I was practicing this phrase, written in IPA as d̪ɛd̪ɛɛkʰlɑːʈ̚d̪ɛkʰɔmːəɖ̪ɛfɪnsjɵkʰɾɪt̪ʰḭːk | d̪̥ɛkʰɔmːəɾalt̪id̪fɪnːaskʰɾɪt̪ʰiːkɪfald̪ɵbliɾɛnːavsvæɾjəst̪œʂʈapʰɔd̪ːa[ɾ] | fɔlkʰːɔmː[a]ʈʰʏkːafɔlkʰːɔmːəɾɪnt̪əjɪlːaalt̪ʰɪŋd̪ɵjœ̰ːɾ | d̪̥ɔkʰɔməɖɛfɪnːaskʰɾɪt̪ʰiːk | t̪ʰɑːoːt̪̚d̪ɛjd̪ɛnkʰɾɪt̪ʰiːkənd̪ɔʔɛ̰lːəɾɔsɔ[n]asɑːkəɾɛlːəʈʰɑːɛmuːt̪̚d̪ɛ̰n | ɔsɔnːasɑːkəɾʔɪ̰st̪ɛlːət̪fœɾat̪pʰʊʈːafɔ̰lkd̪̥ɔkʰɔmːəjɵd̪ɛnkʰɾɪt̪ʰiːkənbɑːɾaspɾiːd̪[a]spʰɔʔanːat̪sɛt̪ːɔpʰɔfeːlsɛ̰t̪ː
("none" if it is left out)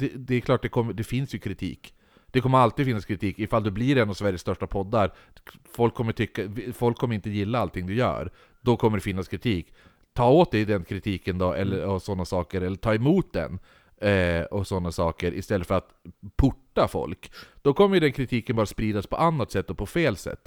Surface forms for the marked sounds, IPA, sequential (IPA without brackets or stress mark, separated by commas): ɾ, ə, nː, a